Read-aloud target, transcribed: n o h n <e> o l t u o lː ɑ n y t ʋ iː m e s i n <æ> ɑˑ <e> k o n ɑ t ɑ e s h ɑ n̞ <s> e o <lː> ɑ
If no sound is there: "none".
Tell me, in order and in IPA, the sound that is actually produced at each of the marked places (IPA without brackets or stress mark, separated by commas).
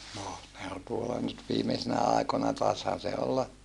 e, æ, i, s, lː